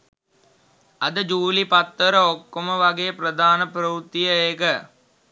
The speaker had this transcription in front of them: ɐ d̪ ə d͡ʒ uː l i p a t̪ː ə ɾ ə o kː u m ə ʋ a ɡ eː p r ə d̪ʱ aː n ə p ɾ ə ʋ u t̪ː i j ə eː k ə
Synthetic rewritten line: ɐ d̪ ə d͡ʒ uː l i p a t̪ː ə ɾ ə o kː o m ə ʋ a ɡ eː p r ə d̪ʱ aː n ə p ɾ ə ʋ u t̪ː i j ə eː k ə

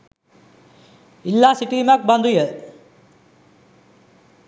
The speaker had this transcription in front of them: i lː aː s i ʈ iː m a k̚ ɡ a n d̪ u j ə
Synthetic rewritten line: i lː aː s i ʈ iː m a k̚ b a n d̪ u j ə

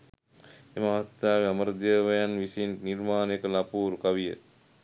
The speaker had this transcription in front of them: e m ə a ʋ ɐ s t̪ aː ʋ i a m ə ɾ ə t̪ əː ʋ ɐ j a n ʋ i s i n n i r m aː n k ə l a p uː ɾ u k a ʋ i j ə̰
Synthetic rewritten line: e m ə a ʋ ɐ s t̪ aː ʋ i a m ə ɾ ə d̪ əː ʋ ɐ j a n ʋ i s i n n i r m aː n k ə l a p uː ɾ u k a ʋ i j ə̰

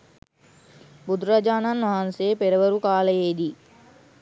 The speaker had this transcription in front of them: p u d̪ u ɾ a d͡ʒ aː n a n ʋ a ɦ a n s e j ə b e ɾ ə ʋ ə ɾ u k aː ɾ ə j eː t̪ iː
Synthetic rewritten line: b u d̪ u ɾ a d͡ʒ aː n a n ʋ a ɦ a n s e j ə p e ɾ ə ʋ ə ɾ u k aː l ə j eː d̪ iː

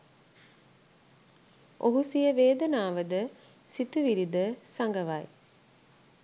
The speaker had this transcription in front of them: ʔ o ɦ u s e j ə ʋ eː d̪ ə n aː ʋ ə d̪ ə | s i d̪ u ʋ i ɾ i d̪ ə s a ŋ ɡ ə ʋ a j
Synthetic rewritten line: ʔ o ɦ u s i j ə ʋ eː d̪ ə n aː ʋ ə d̪ ə | s i t̪ u ʋ i ɾ i d̪ ə s a ŋ ɡ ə ʋ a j

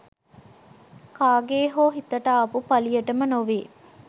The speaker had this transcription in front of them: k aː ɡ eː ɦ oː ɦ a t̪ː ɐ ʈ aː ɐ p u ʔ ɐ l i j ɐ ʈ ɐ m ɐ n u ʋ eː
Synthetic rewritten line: k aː ɡ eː ɦ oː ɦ i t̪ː ɐ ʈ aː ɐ p u p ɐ l i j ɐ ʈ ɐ m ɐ n o ʋ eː

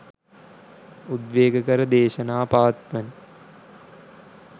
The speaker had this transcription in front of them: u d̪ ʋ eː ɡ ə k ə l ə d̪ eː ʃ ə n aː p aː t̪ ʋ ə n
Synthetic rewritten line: u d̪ ʋ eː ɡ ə k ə ɾ ə d̪ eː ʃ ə n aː p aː t̪ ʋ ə n

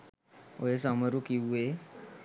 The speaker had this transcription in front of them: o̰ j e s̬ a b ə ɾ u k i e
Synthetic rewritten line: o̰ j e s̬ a m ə ɾ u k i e

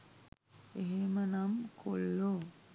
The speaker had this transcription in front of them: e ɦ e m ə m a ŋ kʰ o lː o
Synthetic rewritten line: e ɦ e m ə n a m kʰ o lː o

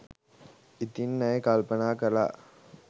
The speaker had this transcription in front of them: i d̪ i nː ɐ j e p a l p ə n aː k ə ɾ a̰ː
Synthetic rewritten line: i t̪ i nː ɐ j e k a l p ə n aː k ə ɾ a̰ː

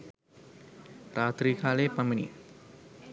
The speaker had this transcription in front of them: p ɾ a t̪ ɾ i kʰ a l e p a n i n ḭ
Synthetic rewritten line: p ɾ a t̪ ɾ i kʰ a l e p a m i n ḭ

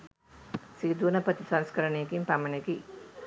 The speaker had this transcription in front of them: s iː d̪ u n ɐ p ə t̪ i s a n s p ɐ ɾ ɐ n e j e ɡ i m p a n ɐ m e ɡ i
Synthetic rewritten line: s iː d̪ u n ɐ p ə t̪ i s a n s k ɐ ɾ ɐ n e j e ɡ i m p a m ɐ n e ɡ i

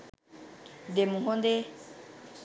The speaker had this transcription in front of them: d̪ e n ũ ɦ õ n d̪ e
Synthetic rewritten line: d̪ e m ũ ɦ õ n d̪ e

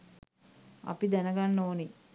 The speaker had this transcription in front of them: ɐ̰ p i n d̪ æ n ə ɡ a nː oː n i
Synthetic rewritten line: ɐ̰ p i d̪ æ n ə ɡ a nː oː n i

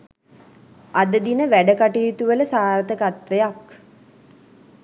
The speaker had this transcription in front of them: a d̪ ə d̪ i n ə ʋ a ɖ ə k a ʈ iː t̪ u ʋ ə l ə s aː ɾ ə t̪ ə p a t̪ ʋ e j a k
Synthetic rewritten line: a d̪ ə d̪ i n ə ʋ æ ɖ ə k a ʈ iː t̪ u ʋ ə l ə s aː ɾ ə t̪ ə k a t̪ ʋ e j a k

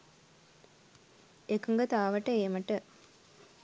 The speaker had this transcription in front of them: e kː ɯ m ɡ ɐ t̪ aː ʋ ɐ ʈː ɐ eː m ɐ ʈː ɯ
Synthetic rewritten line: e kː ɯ ŋ ɡ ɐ t̪ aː ʋ ɐ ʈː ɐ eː m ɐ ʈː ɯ

